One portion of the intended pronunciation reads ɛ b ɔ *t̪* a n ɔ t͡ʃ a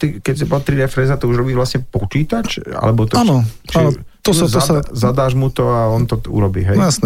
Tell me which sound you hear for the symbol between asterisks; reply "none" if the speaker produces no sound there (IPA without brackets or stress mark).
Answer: t̪